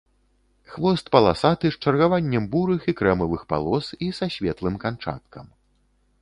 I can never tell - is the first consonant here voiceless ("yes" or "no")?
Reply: yes